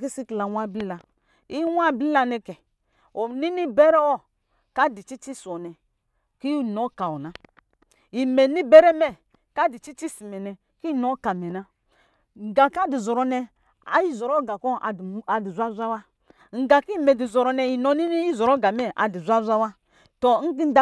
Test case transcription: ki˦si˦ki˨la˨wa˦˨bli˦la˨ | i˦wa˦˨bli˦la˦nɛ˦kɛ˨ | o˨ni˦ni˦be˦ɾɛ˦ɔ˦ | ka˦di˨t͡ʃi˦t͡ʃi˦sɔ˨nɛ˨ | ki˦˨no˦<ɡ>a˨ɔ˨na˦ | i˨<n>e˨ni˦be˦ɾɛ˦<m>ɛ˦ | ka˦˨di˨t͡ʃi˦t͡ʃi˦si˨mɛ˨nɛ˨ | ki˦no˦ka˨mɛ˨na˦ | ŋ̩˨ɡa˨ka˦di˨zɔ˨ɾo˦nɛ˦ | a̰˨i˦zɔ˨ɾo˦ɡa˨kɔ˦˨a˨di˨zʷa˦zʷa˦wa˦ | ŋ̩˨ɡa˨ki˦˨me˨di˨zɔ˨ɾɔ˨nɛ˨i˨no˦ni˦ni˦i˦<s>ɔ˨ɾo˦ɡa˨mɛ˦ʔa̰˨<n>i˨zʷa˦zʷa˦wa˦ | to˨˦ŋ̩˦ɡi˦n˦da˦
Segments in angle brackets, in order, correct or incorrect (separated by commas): incorrect, incorrect, correct, incorrect, incorrect